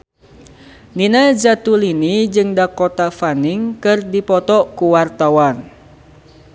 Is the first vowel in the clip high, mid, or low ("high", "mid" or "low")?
high